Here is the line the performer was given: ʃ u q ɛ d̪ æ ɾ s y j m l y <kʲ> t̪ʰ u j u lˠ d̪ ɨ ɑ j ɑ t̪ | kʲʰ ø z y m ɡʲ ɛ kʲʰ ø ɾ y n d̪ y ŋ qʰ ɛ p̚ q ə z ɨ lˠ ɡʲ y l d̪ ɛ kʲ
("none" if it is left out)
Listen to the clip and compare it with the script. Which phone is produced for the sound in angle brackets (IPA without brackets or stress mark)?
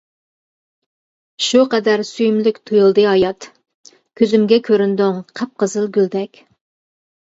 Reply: kʲ